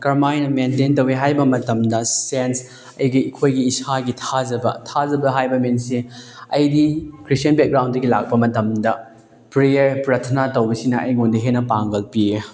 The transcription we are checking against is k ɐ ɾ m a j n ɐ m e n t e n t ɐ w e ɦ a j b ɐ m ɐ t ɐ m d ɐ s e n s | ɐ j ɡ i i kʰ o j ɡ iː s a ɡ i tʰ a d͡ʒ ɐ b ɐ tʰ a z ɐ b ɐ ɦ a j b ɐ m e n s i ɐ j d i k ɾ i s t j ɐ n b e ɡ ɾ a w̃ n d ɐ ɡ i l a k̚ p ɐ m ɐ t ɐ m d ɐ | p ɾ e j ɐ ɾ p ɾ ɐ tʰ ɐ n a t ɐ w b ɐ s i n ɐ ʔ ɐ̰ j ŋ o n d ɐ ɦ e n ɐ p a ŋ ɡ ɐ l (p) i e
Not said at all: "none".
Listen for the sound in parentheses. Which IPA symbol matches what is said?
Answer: p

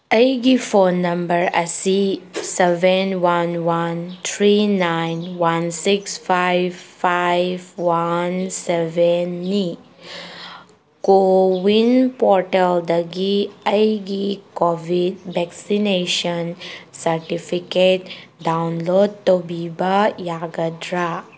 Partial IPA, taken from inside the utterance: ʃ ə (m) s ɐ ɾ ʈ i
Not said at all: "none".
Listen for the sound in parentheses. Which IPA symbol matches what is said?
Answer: n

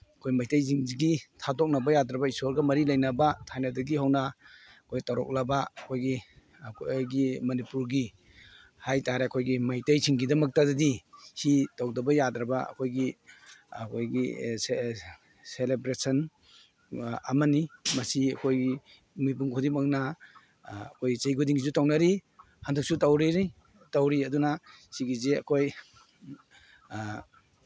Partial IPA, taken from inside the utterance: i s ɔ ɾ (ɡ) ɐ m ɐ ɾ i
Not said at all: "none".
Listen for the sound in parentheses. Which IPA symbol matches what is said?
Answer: ɡ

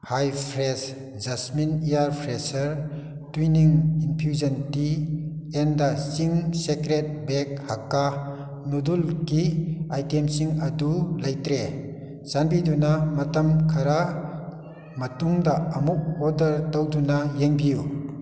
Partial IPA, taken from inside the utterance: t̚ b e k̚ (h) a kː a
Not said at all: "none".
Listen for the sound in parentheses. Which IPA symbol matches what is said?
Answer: h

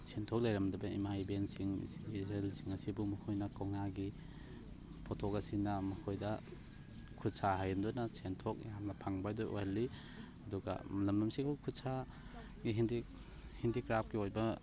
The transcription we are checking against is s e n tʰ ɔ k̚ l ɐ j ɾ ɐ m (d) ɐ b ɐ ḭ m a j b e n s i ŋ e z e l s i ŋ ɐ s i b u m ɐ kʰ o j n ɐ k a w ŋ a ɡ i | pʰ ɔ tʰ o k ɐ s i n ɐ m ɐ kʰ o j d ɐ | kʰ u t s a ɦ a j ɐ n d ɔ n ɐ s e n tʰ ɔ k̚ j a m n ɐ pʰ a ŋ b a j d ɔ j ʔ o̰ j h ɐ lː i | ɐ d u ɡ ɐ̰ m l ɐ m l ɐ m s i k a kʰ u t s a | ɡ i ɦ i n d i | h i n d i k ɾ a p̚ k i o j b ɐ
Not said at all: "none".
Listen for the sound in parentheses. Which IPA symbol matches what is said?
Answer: d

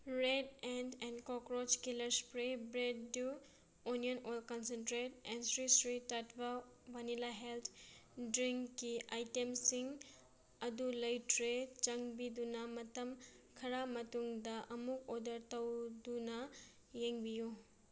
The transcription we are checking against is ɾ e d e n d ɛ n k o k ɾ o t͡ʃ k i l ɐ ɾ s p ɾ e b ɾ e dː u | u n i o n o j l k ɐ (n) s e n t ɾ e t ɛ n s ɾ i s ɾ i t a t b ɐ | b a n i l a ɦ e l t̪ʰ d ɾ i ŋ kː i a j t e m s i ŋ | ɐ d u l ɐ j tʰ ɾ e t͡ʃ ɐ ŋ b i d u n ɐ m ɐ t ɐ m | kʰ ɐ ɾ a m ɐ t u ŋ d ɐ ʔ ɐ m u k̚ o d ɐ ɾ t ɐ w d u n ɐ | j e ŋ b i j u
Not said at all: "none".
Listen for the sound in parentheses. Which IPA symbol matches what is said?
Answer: n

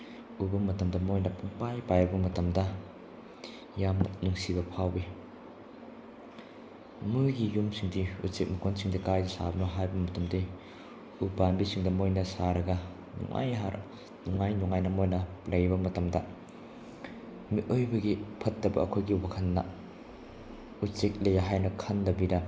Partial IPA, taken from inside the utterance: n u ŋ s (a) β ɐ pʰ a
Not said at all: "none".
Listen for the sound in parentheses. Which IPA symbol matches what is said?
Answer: i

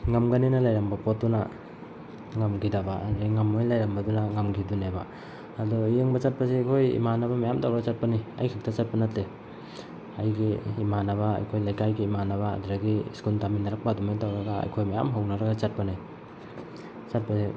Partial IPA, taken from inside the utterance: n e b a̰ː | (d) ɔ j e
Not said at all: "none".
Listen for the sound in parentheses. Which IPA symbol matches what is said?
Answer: d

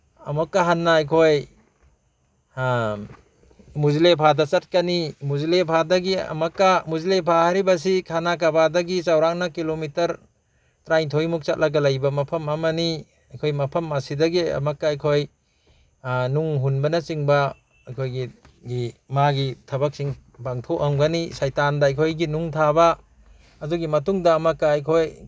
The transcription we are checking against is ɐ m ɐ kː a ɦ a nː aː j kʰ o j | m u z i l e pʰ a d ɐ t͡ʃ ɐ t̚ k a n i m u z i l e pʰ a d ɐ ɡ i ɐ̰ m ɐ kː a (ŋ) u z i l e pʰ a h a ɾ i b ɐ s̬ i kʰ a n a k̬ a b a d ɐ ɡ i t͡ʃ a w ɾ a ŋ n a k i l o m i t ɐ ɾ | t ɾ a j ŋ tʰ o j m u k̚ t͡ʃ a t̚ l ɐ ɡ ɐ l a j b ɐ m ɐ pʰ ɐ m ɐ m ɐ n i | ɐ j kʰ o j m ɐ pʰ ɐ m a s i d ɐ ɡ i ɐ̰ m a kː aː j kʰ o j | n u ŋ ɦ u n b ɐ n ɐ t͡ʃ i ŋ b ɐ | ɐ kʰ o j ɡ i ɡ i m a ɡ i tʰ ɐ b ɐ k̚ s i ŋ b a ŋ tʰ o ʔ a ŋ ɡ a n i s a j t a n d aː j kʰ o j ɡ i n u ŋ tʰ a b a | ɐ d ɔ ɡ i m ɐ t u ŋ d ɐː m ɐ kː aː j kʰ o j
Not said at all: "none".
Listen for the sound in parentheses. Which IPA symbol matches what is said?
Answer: m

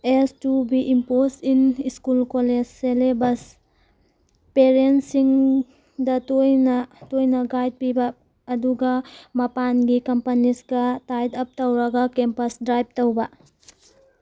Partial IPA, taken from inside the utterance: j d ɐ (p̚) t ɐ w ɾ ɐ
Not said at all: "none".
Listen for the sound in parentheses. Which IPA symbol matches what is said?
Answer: p̚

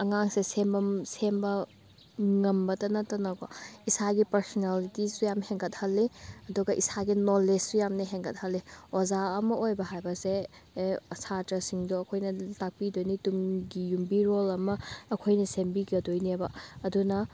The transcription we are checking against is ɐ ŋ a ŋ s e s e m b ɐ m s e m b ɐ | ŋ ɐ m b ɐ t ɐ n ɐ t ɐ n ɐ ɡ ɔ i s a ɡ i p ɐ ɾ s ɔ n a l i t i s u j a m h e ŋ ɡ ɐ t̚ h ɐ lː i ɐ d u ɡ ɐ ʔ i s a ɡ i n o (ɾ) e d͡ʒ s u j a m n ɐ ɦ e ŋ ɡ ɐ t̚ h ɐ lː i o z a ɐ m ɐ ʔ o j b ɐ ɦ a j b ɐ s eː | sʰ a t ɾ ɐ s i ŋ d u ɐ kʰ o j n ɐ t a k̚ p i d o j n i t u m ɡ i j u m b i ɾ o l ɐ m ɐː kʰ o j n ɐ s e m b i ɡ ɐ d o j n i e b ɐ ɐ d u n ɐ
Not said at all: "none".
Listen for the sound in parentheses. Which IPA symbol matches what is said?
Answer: l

